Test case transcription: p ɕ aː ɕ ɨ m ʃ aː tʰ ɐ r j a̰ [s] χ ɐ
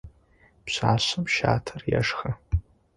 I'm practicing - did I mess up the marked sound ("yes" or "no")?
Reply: yes